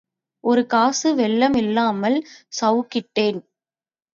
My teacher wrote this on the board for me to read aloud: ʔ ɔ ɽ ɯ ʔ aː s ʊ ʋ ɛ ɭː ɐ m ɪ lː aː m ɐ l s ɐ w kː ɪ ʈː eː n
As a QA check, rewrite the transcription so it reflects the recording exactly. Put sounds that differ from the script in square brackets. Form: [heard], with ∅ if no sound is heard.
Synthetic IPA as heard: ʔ ɔ [ɾ] ɯ [k] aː s [ɯ] ʋ ɛ ɭː ɐ m ɪ lː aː m ɐ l s ɐ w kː ɪ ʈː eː n